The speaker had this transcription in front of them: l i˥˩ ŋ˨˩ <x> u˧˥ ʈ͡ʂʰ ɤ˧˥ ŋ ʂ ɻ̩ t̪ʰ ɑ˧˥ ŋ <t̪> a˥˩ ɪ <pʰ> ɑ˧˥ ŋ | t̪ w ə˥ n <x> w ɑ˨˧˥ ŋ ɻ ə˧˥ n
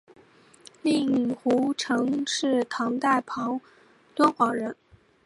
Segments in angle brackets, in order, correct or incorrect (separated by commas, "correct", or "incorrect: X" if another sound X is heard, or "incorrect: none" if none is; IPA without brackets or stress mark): correct, correct, correct, correct